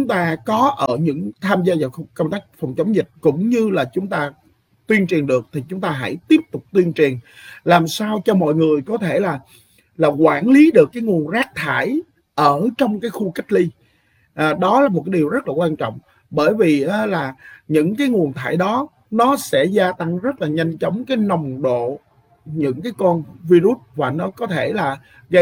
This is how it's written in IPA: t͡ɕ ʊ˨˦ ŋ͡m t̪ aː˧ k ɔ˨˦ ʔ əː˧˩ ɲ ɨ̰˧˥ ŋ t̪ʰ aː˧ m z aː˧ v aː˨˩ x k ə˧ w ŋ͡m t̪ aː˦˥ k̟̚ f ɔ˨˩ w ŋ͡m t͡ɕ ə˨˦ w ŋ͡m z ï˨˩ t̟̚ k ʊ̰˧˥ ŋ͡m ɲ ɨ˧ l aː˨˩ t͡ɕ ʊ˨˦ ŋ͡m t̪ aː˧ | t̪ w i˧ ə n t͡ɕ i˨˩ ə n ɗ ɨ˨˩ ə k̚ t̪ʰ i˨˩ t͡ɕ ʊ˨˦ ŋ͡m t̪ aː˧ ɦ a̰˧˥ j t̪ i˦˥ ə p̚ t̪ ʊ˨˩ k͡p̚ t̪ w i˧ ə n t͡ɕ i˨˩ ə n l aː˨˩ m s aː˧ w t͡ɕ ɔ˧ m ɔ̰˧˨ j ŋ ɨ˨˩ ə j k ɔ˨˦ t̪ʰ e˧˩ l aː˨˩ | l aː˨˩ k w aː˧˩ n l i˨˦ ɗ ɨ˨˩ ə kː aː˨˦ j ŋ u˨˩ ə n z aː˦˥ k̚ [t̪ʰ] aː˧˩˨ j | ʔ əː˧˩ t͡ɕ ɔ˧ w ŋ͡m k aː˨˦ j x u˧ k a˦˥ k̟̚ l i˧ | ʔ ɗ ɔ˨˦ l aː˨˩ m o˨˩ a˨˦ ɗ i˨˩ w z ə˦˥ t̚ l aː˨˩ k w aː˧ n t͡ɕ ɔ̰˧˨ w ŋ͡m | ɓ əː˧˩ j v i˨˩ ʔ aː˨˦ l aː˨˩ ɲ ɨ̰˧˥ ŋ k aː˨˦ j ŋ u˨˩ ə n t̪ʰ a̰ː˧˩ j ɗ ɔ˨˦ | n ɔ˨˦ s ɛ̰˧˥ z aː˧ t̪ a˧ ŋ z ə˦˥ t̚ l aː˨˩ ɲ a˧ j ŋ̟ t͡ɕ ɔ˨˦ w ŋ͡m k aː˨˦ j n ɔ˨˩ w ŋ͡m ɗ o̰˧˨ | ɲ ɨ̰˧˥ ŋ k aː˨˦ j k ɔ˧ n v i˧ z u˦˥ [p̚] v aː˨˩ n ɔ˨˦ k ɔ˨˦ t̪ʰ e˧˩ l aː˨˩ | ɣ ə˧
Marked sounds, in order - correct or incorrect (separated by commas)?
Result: correct, incorrect